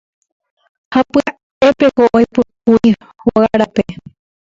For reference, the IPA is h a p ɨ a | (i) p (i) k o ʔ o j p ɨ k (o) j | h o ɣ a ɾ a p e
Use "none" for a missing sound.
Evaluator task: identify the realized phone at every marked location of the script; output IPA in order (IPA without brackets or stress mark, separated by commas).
e, e, u